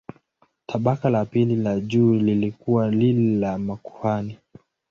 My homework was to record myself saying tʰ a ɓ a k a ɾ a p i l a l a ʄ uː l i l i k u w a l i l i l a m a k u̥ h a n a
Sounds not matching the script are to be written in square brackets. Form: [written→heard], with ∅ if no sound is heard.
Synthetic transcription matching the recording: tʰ a ɓ a k a [ɾ→l] a p i l [a→i] l a ʄ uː l i l i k u w a l i l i l a m a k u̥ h a n [a→i]